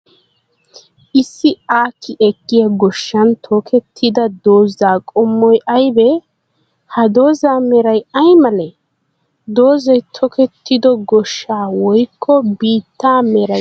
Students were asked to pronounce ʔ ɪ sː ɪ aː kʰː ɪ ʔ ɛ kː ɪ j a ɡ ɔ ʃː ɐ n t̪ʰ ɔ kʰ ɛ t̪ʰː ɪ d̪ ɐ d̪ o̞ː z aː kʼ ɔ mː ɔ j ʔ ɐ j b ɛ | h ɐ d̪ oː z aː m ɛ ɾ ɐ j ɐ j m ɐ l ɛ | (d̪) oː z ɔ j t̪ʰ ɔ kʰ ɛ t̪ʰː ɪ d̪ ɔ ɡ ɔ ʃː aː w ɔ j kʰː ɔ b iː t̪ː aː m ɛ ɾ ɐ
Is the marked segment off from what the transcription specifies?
no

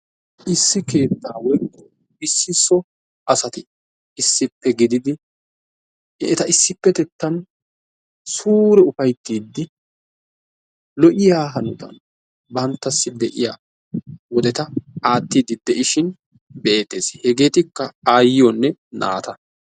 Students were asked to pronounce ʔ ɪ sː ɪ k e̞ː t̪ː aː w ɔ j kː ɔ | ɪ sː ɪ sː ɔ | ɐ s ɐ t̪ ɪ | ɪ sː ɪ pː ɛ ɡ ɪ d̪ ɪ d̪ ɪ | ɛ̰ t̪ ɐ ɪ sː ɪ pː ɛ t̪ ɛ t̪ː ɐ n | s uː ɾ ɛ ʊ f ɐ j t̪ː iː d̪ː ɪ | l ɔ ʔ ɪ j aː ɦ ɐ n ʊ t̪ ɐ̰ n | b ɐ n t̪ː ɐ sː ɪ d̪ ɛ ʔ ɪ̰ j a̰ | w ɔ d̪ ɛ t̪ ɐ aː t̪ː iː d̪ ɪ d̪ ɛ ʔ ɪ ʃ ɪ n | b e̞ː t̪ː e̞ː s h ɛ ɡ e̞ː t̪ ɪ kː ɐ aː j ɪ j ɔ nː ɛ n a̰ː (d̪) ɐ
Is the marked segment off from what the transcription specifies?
yes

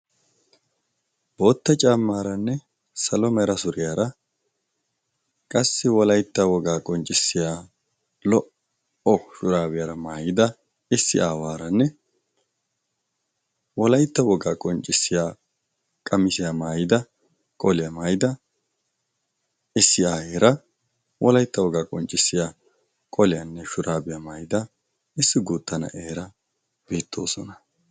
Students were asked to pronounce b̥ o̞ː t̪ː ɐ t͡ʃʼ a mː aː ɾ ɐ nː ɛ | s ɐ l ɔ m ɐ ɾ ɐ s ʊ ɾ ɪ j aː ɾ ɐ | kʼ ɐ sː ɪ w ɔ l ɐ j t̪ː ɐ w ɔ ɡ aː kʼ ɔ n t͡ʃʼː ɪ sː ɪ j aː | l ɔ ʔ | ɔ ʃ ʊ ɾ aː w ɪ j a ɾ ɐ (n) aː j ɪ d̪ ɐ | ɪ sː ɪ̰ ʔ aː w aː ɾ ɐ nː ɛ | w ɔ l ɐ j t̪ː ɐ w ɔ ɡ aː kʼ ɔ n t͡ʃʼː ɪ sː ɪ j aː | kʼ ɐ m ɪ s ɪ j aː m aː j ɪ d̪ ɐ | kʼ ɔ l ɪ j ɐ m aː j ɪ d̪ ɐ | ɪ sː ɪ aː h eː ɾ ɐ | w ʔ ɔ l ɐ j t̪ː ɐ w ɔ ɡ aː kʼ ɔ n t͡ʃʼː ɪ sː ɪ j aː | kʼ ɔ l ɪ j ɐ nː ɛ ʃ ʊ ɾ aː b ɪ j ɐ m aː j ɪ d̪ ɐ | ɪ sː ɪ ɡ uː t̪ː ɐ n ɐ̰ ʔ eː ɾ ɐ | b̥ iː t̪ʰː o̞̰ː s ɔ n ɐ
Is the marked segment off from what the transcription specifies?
yes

